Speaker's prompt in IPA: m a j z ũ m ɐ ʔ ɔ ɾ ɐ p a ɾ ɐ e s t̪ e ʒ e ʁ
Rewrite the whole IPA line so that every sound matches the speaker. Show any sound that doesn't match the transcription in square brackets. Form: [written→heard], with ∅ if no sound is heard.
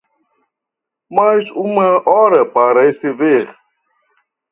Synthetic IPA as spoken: m a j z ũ m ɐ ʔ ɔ ɾ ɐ p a ɾ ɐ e s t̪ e [ʒ→v] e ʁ